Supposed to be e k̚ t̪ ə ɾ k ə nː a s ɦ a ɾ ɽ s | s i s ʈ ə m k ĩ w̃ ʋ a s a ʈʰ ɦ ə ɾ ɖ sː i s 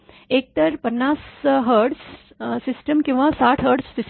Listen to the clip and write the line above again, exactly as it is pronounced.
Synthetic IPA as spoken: e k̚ t̪ ə ɾ p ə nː a s ɦ ə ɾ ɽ s | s i s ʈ ə m k ĩ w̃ ʋ a s a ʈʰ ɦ ə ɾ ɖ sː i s